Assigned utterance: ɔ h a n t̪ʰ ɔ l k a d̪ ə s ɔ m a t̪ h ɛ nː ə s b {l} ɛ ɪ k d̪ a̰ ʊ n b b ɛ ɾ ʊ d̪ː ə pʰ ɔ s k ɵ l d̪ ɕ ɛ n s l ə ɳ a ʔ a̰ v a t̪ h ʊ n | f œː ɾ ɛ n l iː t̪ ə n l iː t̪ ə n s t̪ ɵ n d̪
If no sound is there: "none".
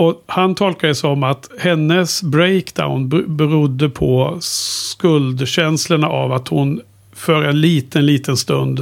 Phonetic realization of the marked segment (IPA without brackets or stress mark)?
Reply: ɾ